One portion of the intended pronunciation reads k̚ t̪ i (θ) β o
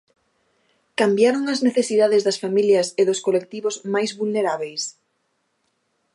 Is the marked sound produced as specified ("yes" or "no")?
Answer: no